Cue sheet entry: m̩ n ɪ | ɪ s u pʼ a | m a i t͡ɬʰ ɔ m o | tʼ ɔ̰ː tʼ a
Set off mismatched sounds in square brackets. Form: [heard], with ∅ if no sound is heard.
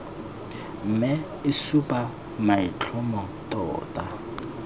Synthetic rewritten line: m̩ [m] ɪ | ɪ s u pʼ a | m a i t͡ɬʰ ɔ m [ɔ] | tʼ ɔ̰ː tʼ a